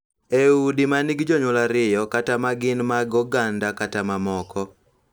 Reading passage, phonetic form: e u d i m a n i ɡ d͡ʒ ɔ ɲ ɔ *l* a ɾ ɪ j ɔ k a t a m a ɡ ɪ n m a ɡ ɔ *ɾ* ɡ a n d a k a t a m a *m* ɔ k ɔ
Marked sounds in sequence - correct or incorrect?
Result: correct, incorrect, correct

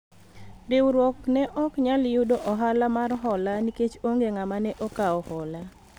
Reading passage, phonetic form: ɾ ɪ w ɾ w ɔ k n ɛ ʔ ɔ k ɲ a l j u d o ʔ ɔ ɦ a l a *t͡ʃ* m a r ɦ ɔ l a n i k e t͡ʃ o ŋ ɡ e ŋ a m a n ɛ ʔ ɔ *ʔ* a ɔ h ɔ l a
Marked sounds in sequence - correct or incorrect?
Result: incorrect, incorrect

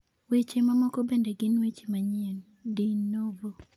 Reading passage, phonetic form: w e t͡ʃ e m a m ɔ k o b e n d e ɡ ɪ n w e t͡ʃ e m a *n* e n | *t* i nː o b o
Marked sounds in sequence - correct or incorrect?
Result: incorrect, incorrect

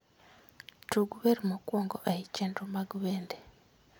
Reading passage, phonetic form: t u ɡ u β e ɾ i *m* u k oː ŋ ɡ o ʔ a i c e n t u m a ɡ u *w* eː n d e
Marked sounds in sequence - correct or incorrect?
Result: correct, incorrect

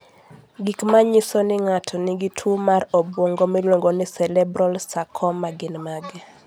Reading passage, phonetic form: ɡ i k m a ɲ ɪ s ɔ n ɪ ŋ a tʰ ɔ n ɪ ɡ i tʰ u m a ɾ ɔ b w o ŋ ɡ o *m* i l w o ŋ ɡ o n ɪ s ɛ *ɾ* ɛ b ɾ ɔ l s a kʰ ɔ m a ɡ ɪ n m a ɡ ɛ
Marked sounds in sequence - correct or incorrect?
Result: correct, incorrect

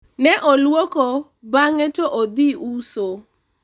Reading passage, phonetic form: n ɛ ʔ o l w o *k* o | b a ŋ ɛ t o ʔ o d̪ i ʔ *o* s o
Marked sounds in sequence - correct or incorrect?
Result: correct, incorrect

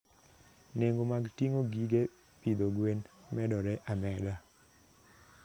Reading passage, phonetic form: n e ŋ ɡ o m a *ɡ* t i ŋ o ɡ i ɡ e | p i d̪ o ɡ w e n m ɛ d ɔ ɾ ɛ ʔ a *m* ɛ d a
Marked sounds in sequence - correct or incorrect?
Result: correct, correct

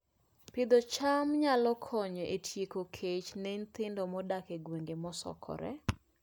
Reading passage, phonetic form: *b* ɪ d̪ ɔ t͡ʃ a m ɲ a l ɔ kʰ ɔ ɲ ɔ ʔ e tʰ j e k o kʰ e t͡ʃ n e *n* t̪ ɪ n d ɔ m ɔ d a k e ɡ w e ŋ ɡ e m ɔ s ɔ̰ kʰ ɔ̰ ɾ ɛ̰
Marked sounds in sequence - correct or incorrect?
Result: incorrect, correct

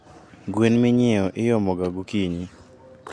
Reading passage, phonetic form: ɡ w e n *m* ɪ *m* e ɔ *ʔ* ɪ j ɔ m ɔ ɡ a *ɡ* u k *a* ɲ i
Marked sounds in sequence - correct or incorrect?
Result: correct, incorrect, correct, correct, incorrect

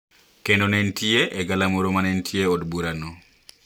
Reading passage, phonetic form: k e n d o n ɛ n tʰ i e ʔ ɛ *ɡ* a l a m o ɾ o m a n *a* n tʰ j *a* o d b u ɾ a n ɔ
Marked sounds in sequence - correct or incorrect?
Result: correct, incorrect, incorrect

